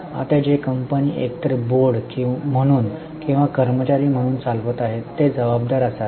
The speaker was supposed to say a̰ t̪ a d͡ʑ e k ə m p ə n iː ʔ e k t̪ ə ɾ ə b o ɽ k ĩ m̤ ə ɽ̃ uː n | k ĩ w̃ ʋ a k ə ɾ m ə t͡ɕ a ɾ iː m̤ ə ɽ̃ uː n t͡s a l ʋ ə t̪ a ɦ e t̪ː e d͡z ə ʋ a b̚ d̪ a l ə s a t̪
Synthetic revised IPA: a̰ t̪ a d͡ʑ e k ə m p ə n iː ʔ e k t̪ ə ɾ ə b o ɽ k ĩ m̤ ə ɽ̃ uː n | k ĩ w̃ ʋ a k ə ɾ m ə t͡ɕ a ɾ iː m̤ ə ɽ̃ uː n t͡s a l ʋ ə t̪ a ɦ e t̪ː e d͡z ə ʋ a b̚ d̪ a ɾ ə s a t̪